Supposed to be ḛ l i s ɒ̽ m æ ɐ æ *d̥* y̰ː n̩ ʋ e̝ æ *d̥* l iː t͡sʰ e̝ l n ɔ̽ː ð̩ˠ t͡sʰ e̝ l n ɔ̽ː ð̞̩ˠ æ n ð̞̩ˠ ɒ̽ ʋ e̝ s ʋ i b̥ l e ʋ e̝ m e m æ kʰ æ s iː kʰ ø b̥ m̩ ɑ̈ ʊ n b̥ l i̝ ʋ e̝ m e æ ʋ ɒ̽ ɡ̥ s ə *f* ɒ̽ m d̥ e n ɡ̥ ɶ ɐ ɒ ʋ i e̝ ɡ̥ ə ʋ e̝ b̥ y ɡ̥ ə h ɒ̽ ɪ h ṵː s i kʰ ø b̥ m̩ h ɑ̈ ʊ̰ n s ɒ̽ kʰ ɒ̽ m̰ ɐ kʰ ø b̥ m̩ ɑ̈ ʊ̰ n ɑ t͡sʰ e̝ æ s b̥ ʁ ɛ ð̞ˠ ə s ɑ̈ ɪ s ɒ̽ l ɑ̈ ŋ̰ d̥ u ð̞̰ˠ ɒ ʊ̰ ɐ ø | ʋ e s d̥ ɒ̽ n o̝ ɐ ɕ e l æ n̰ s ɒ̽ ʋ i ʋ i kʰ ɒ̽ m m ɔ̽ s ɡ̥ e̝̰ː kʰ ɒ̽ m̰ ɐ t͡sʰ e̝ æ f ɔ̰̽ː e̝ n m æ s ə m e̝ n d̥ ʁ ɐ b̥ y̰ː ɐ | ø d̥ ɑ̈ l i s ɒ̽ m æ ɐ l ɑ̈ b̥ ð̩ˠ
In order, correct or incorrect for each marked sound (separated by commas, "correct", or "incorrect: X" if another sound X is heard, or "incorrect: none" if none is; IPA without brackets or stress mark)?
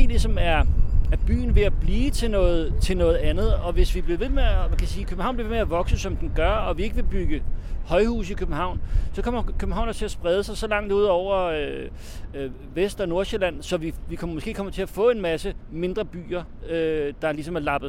incorrect: b̥, incorrect: b̥, incorrect: s